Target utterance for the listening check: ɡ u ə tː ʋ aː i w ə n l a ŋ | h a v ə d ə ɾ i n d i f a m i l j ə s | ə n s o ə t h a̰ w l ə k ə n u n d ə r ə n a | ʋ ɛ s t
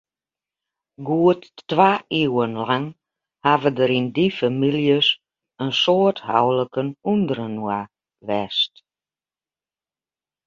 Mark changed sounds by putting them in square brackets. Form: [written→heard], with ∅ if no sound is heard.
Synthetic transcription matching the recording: ɡ u ə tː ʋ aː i w ə n l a ŋ | h a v ə d ə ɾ i n d i f a m i l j ə s | ə n s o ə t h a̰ w l ə k ə n u n d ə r ə n a | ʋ ɛ s t